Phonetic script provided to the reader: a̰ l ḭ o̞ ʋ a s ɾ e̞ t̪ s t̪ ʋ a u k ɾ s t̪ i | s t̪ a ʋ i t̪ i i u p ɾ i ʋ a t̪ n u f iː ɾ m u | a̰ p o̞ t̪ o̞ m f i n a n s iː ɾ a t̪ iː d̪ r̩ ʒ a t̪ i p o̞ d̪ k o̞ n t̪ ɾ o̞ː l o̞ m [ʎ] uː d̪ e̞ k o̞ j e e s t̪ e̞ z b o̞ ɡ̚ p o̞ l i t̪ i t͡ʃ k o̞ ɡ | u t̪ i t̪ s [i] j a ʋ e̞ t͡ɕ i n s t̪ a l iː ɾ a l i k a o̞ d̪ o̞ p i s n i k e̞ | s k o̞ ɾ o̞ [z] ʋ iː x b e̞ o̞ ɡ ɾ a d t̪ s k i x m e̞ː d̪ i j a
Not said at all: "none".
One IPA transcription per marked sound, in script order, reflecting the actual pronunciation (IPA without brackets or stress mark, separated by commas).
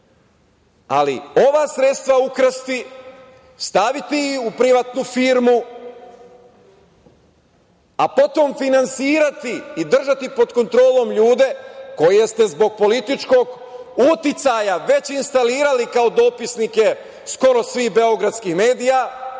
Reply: ʎ, a, s